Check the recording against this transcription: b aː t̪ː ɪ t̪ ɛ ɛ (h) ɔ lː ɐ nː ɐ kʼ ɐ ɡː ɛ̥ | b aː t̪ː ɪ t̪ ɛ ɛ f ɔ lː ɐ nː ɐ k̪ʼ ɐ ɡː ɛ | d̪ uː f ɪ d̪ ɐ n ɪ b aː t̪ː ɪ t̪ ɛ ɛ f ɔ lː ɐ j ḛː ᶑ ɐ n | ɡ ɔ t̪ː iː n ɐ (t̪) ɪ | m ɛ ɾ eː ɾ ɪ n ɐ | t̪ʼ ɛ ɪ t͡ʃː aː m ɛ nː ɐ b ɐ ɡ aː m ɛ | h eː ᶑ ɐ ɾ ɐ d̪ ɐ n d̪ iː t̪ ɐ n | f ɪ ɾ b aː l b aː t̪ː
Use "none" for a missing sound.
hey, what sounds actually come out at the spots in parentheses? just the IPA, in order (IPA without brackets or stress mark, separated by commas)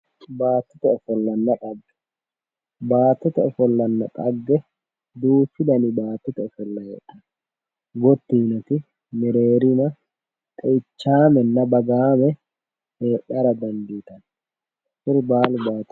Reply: f, t̪